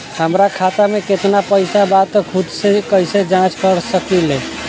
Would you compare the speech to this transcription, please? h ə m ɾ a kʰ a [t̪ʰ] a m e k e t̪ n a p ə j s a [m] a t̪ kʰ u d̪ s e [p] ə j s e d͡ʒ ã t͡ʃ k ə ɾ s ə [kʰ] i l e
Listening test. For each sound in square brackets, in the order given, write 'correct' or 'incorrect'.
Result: incorrect, incorrect, incorrect, incorrect

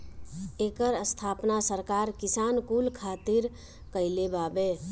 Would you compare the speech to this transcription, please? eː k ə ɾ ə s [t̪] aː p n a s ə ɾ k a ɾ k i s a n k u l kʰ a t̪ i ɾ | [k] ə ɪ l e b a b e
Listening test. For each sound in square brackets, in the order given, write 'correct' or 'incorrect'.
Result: incorrect, correct

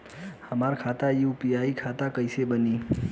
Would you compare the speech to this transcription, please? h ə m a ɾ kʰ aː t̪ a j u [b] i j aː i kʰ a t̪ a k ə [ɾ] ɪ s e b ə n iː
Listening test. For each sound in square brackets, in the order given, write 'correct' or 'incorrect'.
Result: incorrect, incorrect

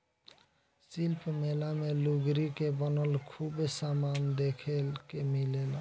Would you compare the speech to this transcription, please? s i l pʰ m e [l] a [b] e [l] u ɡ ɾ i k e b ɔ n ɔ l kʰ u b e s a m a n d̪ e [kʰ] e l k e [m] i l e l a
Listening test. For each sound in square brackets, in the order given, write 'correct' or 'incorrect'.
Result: correct, incorrect, correct, correct, correct

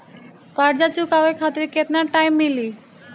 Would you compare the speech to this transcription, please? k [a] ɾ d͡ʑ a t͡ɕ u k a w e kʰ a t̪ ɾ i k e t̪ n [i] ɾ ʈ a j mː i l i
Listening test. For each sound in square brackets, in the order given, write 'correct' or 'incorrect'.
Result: correct, incorrect

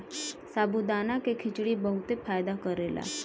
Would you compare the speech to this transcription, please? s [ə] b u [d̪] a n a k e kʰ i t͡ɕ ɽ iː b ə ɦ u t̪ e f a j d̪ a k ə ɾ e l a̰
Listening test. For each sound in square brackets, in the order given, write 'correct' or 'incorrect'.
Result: incorrect, correct

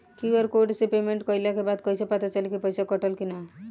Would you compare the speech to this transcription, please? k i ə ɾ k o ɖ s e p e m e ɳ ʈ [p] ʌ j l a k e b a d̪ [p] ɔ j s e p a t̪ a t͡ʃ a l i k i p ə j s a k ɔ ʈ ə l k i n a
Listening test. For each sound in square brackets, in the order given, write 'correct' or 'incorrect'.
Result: incorrect, incorrect

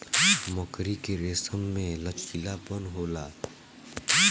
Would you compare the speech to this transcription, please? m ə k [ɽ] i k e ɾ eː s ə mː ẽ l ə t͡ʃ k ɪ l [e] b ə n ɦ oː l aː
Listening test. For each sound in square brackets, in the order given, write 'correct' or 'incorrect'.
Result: incorrect, incorrect

